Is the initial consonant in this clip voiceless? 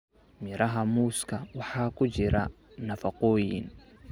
no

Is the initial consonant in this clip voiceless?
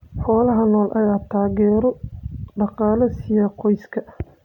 yes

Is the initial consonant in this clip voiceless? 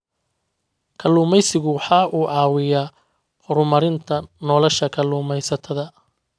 yes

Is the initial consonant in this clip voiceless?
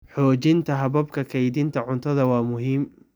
yes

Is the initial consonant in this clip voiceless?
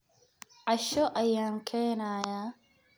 no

